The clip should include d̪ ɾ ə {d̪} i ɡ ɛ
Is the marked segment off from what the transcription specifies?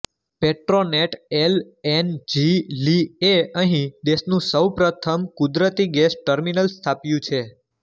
yes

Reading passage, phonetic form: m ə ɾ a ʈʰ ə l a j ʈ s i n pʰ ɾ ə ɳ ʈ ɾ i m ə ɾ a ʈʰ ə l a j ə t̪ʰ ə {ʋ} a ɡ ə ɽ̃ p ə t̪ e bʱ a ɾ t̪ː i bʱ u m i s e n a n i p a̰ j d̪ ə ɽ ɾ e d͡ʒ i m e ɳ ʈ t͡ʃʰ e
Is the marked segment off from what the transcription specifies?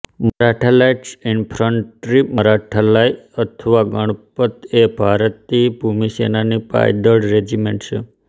no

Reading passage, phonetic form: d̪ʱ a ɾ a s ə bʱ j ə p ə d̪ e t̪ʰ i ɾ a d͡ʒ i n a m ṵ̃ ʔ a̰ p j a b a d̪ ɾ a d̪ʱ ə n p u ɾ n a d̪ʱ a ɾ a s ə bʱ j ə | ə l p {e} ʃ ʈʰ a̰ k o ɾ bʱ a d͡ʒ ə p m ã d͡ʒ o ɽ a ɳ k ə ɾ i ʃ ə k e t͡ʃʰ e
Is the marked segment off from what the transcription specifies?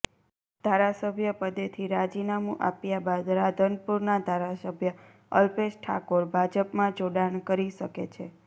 no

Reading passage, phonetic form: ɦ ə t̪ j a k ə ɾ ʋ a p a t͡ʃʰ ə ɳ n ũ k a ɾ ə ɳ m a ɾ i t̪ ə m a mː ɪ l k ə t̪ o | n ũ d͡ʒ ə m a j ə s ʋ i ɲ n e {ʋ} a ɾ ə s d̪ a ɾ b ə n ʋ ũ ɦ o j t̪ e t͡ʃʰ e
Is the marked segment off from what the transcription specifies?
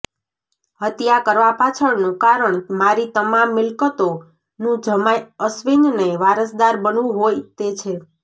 no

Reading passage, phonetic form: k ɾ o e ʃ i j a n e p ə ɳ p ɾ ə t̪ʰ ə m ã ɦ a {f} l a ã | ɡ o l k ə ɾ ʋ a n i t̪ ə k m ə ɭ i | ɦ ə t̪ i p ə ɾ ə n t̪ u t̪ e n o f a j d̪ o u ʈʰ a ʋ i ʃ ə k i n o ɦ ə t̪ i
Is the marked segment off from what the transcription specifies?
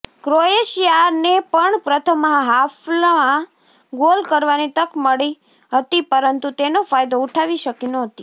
no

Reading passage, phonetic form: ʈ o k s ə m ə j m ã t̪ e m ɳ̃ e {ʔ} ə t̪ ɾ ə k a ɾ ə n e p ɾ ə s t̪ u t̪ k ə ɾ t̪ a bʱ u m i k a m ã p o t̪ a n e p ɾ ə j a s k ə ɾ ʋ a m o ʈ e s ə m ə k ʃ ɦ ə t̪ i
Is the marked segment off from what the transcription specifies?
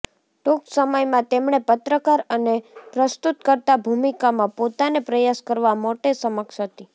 yes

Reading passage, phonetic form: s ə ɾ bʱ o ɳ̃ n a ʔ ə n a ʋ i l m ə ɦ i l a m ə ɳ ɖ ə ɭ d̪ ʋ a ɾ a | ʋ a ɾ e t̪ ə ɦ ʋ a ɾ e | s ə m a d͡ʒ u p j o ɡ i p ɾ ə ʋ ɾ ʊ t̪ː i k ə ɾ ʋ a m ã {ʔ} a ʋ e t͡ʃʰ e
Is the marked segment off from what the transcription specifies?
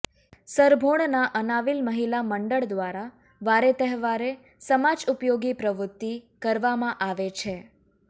no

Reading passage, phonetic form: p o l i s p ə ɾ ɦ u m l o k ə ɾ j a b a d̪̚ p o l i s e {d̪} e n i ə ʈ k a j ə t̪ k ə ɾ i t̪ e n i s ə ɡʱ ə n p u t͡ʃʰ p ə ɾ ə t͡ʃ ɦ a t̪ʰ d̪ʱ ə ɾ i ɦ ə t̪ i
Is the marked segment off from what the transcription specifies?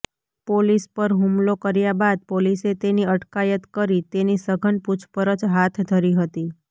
yes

